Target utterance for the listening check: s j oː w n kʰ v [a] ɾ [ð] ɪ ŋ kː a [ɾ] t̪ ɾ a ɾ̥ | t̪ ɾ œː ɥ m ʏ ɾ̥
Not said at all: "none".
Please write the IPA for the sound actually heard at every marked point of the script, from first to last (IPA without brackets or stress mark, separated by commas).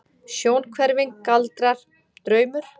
ɛ, v, l